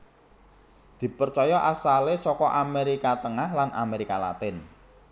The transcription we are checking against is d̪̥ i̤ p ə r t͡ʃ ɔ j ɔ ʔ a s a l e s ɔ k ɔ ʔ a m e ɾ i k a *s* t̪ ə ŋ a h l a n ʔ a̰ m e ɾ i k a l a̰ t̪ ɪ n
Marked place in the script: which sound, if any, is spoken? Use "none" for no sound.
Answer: none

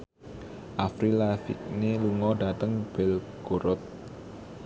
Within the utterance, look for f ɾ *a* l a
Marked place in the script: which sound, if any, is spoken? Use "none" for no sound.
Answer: i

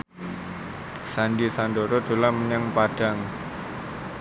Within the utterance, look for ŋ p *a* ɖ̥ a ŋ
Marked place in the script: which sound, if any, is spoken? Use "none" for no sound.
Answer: a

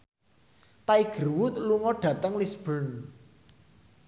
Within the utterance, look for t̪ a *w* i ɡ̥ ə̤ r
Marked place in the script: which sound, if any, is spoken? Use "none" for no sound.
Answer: none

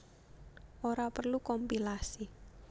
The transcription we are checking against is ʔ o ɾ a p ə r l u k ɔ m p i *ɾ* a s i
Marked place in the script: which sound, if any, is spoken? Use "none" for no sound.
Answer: l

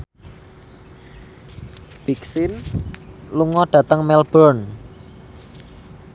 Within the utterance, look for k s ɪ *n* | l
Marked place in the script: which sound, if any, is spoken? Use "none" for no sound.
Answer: n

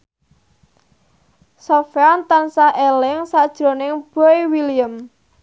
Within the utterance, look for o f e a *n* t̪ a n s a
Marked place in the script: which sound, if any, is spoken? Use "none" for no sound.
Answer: n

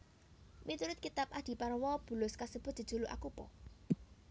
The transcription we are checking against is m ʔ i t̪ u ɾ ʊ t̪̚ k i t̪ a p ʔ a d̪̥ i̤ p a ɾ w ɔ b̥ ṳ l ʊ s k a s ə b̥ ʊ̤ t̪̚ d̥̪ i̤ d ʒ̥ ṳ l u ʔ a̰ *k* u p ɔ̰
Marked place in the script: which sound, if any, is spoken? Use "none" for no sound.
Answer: k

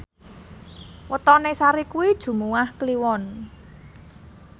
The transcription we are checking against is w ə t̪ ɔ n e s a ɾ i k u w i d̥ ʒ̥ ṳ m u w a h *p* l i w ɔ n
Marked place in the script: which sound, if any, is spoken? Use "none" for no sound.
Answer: k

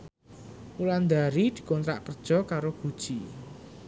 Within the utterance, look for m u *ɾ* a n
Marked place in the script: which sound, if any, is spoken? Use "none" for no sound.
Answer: l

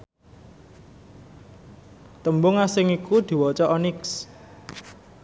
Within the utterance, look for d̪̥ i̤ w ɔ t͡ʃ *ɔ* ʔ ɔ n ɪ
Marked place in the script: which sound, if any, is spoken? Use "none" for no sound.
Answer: ɔ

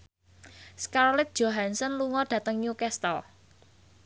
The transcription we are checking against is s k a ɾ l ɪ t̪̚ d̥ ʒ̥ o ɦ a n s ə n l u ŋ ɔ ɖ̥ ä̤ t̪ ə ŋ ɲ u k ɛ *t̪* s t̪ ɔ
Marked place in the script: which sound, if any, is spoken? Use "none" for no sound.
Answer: none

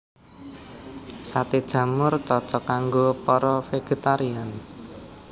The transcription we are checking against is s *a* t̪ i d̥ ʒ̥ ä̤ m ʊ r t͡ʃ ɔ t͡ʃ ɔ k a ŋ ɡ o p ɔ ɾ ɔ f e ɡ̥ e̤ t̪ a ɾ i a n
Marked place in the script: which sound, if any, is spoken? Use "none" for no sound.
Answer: a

